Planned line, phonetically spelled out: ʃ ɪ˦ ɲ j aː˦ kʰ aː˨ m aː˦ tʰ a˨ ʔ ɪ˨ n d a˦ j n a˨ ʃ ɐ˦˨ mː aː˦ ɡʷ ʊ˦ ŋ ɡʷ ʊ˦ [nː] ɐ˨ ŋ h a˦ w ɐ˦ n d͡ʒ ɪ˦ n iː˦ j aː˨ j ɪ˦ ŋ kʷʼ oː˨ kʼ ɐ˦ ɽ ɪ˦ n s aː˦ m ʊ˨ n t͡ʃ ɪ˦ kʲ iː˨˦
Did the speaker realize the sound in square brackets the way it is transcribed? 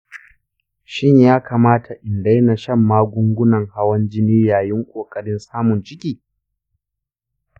no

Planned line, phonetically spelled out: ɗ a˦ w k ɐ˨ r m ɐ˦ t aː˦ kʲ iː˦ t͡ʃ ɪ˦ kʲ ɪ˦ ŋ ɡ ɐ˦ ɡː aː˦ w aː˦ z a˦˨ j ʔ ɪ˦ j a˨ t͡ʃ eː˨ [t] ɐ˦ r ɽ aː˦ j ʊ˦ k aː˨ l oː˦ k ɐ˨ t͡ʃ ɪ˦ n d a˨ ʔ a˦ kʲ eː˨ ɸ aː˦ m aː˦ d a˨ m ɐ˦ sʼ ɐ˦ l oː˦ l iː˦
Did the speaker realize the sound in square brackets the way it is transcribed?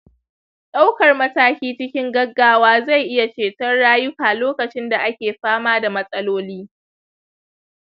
yes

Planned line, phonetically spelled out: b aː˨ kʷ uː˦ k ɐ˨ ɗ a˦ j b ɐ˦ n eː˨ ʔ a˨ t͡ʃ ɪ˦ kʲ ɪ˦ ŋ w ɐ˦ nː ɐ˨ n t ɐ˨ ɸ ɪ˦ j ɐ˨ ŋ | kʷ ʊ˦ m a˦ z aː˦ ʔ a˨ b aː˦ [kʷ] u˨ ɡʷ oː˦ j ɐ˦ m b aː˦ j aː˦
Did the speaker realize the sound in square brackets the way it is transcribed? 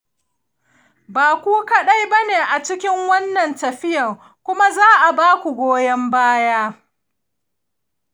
yes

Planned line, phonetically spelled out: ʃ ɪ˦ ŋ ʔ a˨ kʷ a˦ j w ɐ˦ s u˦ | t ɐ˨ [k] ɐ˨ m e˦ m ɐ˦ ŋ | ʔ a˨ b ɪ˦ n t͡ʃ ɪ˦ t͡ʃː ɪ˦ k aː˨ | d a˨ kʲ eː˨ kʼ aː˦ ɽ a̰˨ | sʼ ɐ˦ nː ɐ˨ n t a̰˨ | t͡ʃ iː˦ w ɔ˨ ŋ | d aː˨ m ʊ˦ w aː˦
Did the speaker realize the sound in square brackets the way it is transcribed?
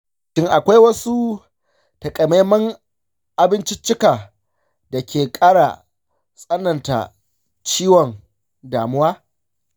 no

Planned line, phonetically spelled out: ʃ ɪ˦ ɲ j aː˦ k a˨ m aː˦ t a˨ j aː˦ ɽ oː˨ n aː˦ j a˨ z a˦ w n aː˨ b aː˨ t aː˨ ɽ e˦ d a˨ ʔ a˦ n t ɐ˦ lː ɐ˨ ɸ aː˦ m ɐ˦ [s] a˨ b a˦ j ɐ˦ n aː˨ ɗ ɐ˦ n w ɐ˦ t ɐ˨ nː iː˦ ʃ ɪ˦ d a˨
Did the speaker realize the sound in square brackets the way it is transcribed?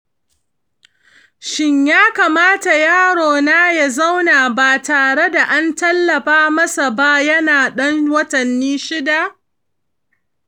yes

